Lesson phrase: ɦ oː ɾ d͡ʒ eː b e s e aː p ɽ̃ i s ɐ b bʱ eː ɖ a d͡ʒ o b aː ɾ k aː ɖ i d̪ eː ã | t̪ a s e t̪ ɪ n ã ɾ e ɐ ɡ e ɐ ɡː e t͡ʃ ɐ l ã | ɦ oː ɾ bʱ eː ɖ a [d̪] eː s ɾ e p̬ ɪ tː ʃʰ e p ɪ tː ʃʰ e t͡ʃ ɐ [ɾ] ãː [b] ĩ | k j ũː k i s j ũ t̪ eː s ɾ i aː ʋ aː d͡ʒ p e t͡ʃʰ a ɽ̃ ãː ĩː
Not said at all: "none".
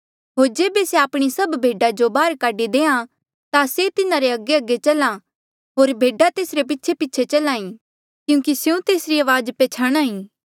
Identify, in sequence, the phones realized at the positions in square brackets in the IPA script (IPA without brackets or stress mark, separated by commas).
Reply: t̪, l, none